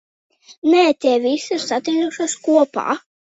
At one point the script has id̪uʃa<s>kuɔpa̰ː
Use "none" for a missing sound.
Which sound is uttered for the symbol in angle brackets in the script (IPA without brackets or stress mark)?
s